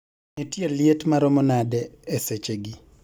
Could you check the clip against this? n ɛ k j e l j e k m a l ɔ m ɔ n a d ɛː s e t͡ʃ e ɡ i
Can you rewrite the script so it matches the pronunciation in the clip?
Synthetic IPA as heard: n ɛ t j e l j e t m a ɾ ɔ m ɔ n a d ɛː s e t͡ʃ e ɡ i